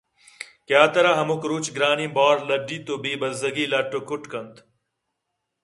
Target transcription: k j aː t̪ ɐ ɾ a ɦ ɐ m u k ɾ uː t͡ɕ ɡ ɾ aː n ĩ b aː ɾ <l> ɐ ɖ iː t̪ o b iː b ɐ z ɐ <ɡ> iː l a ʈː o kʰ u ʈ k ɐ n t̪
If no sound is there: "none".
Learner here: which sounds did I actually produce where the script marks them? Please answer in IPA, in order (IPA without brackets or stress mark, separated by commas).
l, ɡ